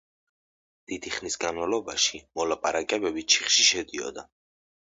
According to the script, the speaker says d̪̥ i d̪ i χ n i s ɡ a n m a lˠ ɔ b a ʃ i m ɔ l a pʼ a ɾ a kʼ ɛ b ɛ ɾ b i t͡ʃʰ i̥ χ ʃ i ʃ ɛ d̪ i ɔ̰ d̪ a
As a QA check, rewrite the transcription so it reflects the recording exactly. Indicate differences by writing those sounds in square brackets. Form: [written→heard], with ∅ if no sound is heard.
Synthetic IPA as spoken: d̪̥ i d̪ i χ n i s ɡ a n m a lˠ ɔ b a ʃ i m ɔ l a pʼ a ɾ a kʼ ɛ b ɛ [ɾ→∅] b i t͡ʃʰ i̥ χ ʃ i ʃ ɛ d̪ i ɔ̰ d̪ a